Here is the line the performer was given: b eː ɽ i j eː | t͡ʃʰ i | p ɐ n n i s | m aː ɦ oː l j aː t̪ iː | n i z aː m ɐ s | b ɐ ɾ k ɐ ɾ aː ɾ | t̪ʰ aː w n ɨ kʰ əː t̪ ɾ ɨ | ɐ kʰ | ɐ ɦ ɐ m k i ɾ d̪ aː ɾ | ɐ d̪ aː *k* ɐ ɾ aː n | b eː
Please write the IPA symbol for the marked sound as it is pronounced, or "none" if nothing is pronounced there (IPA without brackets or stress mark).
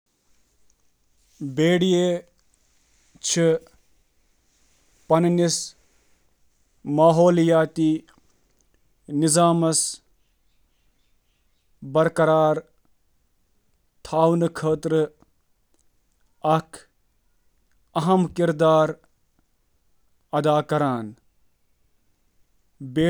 k